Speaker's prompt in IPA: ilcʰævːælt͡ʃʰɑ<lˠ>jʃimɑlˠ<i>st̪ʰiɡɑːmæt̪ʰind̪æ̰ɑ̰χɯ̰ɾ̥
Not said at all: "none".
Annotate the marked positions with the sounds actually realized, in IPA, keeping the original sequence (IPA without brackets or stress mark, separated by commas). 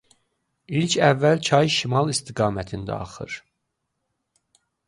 none, i